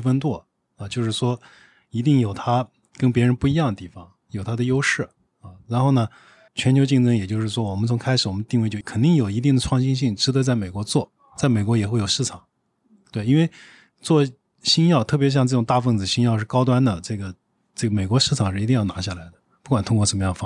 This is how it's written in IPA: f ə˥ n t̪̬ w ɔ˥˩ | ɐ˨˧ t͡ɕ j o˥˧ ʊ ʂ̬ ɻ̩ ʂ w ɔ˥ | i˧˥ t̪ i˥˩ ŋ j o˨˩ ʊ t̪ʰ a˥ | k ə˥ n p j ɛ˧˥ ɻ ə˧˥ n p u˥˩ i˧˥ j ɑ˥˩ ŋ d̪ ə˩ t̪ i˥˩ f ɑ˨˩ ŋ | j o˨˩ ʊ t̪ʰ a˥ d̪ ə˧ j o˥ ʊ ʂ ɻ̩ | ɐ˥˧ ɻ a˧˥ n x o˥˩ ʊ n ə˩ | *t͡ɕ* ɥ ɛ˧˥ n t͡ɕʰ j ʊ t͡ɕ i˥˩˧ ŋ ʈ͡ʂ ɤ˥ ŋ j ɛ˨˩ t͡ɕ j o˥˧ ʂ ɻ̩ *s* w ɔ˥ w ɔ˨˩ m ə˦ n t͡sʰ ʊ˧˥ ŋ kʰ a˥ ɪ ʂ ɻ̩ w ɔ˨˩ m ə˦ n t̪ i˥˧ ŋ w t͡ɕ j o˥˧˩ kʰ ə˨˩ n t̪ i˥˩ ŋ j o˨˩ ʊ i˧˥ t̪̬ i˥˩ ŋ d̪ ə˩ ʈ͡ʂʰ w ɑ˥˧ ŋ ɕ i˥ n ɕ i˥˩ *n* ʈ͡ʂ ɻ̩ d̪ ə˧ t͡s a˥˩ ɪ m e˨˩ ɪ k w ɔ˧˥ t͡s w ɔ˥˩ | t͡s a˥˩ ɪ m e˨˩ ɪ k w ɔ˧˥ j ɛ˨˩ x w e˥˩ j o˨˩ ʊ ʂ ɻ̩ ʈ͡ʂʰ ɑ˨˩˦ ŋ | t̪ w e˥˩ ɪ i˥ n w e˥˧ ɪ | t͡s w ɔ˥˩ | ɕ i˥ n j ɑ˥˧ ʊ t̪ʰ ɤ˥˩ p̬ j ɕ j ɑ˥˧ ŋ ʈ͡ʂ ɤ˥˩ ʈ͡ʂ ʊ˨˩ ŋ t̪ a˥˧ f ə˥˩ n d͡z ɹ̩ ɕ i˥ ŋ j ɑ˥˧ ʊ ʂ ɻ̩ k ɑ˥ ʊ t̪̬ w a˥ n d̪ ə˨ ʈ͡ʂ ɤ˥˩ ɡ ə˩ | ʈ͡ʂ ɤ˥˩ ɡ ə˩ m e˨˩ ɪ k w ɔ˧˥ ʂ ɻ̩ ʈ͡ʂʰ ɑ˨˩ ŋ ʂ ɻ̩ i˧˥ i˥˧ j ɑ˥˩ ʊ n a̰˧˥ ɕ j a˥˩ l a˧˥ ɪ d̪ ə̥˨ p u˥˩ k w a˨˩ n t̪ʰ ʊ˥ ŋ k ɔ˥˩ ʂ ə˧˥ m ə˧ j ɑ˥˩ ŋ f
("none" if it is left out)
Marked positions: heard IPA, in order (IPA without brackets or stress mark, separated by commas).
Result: t͡ɕʰ, ʂ, ŋ